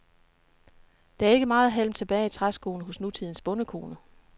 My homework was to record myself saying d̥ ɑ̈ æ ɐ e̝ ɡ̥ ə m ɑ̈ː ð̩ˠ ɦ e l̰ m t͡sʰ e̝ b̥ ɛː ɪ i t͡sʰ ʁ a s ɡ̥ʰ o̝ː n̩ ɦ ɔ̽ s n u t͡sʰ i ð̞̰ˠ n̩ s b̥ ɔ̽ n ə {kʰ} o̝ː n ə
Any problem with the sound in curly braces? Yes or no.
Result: no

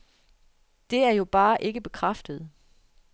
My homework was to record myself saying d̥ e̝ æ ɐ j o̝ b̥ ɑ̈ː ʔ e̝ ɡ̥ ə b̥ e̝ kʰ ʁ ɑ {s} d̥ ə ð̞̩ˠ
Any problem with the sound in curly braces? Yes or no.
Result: yes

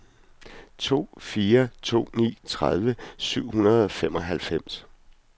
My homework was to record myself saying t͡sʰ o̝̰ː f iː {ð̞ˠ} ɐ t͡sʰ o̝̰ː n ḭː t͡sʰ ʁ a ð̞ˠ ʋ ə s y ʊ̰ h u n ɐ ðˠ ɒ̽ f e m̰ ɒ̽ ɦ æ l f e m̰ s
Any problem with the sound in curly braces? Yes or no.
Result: yes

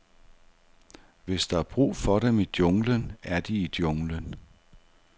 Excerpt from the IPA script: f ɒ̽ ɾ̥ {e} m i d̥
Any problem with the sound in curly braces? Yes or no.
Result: no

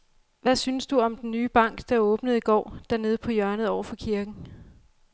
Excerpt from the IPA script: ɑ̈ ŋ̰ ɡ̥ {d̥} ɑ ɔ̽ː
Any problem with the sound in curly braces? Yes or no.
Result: no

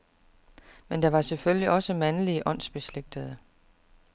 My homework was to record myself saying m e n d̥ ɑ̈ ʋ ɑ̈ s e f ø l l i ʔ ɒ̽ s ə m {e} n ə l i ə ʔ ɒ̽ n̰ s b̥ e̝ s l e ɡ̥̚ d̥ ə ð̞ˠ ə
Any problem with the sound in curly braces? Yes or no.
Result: yes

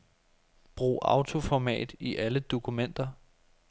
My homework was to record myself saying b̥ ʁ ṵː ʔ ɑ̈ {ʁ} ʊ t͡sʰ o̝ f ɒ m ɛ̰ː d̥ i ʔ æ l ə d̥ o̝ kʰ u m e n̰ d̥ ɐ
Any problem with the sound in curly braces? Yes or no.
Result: yes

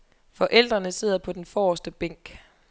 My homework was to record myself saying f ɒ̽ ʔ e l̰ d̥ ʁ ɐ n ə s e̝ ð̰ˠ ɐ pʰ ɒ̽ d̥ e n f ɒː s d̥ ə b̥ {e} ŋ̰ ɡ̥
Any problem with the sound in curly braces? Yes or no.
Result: no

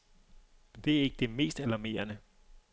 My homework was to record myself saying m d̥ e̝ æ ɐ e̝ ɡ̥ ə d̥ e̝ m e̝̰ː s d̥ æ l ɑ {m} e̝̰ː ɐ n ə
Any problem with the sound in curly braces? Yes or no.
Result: no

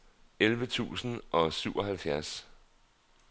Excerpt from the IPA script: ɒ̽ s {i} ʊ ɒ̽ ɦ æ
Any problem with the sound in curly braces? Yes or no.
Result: yes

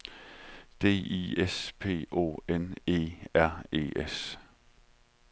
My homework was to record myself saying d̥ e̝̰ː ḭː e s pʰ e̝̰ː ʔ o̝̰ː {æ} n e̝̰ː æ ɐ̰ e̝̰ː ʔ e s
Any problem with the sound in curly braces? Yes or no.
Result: yes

